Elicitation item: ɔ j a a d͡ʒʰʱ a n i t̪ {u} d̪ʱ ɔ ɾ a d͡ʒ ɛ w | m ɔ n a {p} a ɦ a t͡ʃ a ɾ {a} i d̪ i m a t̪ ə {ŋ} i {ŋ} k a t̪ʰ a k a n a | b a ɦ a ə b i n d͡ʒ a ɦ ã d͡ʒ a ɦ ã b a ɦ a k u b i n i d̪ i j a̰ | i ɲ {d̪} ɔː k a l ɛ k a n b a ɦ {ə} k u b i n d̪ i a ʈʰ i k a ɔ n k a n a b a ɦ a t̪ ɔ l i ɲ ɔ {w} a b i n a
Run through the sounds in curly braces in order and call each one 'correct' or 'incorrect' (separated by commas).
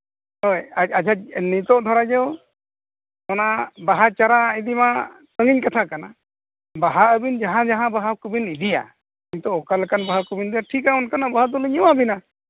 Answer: incorrect, incorrect, correct, correct, incorrect, incorrect, incorrect, correct